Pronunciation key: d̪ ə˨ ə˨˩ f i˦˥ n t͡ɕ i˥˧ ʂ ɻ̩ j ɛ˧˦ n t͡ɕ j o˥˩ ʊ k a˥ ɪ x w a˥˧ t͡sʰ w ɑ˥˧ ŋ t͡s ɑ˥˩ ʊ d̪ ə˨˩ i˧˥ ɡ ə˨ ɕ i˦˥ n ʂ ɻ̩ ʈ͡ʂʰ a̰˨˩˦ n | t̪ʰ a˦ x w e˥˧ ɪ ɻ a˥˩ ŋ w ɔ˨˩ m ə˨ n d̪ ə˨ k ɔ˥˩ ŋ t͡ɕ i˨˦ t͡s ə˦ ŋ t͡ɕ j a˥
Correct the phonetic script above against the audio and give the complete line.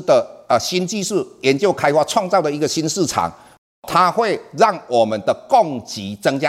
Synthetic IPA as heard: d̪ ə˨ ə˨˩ ɕ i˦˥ n t͡ɕ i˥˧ ʂ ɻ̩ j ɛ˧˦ n t͡ɕ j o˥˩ ʊ kʰ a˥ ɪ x w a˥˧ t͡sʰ w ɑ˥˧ ŋ t͡s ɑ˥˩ ʊ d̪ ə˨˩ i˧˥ ɡ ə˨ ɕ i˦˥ n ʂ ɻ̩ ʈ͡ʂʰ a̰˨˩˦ ŋ | t̪ʰ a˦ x w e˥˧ ɪ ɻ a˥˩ ŋ w ɔ˨˩ m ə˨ n d̪ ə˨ k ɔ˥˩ ŋ t͡ɕ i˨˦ t͡s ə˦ ŋ t͡ɕ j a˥